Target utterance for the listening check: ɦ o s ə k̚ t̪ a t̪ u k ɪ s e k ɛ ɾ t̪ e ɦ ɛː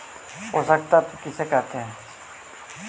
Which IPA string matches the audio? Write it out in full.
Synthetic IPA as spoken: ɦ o s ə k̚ t̪ a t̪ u k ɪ s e k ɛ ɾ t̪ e ɦ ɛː